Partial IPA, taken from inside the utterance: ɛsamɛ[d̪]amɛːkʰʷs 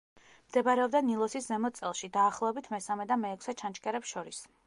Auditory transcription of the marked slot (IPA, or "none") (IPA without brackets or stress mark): d̪